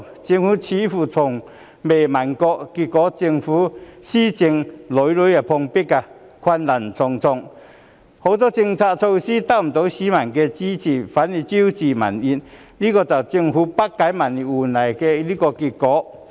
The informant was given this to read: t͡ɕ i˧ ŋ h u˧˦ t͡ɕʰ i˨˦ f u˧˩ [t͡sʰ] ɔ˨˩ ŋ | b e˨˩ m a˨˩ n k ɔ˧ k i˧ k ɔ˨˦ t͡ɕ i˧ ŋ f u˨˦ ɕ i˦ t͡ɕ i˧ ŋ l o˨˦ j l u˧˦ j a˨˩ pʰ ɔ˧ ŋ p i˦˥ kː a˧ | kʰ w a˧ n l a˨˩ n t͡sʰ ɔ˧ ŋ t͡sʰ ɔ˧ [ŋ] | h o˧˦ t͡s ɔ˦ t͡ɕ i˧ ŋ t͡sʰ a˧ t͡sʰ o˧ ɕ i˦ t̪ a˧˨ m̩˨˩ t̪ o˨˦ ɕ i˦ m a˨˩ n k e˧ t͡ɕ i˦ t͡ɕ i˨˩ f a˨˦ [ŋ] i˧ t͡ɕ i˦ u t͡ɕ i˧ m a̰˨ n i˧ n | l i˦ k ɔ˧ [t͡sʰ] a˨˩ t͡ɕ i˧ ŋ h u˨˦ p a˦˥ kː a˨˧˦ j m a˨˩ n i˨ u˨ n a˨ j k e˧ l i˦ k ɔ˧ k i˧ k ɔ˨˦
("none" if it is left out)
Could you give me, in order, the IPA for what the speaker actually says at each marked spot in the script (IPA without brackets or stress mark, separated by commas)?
t͡sʰ, ŋ, n, t͡s